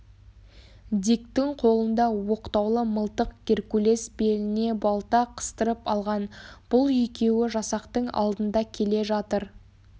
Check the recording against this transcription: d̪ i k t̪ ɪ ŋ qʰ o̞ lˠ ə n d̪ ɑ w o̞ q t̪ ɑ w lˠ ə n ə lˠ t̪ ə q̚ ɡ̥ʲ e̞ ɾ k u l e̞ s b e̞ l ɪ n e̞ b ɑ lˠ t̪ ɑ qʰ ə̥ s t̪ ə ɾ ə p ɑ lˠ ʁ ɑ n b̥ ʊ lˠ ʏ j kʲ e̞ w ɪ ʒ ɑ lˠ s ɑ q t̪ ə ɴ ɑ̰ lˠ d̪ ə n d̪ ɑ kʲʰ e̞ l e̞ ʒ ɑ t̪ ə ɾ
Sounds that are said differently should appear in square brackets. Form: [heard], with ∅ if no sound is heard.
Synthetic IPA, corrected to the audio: d̪ i k t̪ ɪ ŋ qʰ o̞ lˠ ə n d̪ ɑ w o̞ q t̪ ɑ w lˠ ə [m] ə lˠ t̪ ə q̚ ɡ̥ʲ e̞ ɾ k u l e̞ s b e̞ l ɪ n e̞ b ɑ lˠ t̪ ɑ qʰ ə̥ s t̪ ə ɾ ə p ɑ lˠ ʁ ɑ n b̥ ʊ lˠ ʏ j kʲ e̞ w ɪ ʒ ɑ [∅] s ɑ q t̪ ə ɴ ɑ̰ lˠ d̪ ə n d̪ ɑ kʲʰ e̞ l e̞ ʒ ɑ t̪ ə ɾ